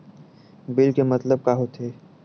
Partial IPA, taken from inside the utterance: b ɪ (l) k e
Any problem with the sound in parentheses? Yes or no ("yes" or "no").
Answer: no